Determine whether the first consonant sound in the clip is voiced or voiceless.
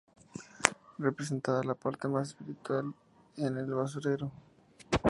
voiced